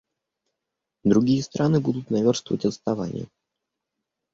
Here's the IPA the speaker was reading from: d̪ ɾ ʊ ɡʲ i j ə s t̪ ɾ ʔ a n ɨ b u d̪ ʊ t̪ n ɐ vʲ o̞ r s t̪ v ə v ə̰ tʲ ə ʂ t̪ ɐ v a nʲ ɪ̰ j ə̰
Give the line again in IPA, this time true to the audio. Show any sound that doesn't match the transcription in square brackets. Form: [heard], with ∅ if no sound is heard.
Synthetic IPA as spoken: d̪ ɾ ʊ ɡʲ i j ə s t̪ ɾ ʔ a n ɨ b u d̪ ʊ t̪ n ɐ vʲ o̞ r s t̪ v ə v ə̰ tʲ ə [s] t̪ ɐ v a nʲ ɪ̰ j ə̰